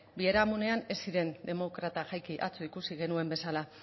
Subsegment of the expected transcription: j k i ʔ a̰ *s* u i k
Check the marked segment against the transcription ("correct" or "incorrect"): incorrect